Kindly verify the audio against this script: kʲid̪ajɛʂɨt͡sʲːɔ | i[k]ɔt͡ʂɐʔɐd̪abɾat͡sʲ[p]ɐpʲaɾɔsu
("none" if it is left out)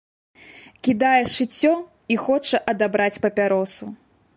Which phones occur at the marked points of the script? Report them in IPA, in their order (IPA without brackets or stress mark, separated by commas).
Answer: x, p